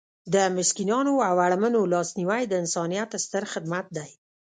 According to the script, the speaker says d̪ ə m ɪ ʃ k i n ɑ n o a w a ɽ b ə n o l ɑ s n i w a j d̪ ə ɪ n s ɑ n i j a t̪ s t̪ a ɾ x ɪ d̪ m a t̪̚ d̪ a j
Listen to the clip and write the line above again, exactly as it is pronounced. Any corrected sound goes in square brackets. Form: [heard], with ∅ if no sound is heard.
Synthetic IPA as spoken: d̪ ə m ɪ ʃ k i n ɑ n o a w a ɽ [m] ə n o l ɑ s n i w a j d̪ ə ɪ n s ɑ n i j a t̪ s t̪ [ə] ɾ x ɪ d̪ m a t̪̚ d̪ a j